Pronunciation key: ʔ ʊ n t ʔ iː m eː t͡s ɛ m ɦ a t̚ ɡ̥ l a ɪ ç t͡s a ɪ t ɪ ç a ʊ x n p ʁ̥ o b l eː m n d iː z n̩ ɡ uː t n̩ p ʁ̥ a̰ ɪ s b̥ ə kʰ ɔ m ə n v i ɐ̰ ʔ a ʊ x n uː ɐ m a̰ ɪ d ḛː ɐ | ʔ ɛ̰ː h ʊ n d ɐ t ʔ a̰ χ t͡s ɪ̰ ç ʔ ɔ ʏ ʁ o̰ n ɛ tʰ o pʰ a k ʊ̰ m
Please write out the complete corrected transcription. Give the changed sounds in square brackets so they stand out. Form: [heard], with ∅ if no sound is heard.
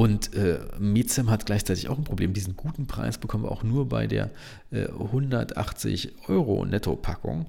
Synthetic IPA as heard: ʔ ʊ n t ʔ [ɛː] m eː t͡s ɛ m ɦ a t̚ ɡ̥ l a ɪ ç t͡s a ɪ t ɪ ç a ʊ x n p ʁ̥ o b l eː m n d iː z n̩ ɡ uː t n̩ p ʁ̥ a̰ ɪ s b̥ ə kʰ ɔ m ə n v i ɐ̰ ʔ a ʊ x n uː ɐ [b] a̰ ɪ d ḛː ɐ | ʔ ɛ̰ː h ʊ n d ɐ t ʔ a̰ χ t͡s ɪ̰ ç ʔ ɔ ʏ ʁ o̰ n ɛ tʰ o pʰ a k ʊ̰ [ŋ]